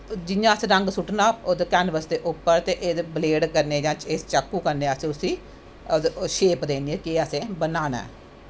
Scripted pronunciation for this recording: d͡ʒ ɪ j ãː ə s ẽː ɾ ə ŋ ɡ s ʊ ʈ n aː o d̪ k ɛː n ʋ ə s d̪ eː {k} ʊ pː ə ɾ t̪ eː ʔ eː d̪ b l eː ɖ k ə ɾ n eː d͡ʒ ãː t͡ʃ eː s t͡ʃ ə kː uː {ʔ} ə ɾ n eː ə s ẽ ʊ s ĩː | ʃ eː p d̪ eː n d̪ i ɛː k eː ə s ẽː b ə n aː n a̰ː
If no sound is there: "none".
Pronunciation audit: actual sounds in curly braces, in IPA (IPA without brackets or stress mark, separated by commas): ʔ, k